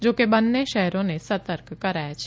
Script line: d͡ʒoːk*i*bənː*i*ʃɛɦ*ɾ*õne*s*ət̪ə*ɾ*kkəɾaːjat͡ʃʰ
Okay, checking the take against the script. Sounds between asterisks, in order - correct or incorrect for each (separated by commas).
incorrect, incorrect, correct, correct, correct